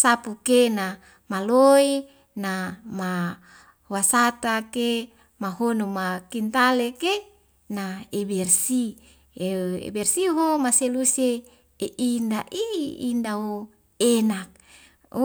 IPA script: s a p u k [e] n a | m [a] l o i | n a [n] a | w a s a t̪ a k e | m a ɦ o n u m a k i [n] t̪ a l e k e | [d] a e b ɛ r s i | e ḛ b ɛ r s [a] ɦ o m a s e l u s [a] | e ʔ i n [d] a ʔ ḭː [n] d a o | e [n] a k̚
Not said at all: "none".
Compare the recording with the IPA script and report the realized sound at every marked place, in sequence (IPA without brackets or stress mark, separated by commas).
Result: e, a, m, n, n, i, e, d, n, n